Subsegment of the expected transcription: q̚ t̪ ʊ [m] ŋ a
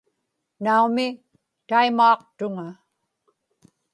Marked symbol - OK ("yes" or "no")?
no